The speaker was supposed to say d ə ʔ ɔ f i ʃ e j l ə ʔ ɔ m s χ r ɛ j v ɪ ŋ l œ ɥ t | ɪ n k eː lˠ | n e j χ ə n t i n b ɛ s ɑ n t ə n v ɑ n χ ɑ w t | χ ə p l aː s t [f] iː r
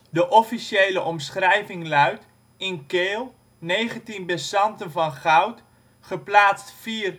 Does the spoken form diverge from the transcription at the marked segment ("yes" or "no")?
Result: no